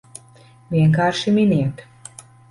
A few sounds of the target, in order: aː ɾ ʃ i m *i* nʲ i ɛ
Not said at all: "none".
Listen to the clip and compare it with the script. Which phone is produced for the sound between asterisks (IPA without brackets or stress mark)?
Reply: i